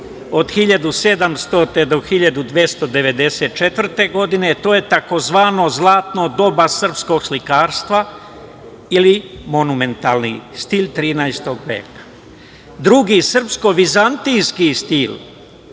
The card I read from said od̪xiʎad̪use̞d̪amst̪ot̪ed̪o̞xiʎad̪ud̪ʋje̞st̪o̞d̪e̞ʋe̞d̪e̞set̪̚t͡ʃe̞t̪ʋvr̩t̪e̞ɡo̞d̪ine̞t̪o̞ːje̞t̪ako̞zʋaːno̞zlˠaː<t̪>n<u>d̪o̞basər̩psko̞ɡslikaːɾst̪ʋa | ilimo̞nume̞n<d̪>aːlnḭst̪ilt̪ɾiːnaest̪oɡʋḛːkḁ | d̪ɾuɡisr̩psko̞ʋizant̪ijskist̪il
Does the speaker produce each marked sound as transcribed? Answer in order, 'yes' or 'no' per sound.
yes, no, no

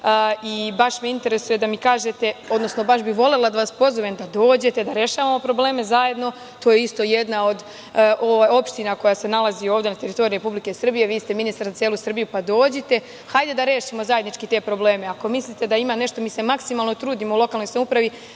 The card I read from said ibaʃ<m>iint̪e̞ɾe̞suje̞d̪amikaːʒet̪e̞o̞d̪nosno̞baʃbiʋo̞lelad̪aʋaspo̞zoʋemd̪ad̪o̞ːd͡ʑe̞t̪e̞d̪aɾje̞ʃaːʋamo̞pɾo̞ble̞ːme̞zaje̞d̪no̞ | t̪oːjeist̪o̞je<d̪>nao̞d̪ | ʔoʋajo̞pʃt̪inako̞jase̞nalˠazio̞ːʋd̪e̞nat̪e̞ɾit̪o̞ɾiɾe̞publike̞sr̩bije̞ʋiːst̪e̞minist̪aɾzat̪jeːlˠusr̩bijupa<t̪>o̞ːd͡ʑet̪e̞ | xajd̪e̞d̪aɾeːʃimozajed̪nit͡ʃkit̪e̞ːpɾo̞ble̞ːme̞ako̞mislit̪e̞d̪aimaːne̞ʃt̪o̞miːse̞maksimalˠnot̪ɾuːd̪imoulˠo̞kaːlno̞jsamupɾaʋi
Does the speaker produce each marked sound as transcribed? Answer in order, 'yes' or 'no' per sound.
yes, yes, no

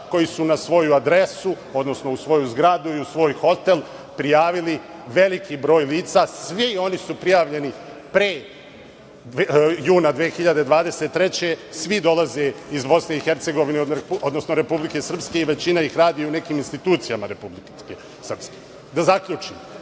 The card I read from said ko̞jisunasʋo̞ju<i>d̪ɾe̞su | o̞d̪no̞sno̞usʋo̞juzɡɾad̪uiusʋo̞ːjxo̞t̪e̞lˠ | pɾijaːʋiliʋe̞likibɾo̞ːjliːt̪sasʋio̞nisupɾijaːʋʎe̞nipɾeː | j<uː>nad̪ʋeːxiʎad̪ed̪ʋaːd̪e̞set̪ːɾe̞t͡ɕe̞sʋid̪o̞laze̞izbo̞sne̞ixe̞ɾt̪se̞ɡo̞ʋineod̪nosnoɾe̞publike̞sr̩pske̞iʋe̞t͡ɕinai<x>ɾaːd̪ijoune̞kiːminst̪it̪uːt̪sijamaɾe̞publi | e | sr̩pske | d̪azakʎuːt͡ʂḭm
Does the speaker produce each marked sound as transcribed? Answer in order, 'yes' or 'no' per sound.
no, yes, yes

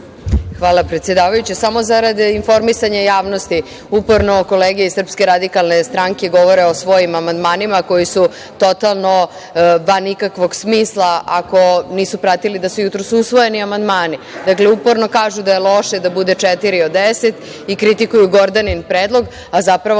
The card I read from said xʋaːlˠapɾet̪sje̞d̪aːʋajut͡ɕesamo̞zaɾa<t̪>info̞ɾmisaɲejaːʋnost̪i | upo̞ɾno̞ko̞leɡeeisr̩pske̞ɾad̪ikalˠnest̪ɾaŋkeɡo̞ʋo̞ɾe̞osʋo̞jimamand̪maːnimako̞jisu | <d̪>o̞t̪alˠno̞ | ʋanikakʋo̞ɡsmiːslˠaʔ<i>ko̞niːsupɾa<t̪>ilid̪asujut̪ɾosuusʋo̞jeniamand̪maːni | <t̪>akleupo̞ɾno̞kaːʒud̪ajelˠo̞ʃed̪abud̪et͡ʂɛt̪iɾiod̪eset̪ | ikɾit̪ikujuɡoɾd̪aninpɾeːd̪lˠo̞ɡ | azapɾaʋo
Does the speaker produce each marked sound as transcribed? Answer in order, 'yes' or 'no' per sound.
no, no, no, yes, no

